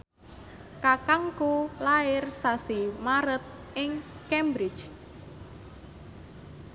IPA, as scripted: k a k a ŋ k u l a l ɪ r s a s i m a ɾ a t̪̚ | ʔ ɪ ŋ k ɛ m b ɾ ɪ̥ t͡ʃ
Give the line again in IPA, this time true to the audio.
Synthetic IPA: k a k a ŋ k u l a ɪ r s a s i m a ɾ ə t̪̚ | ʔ ɪ ŋ k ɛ m b ɾ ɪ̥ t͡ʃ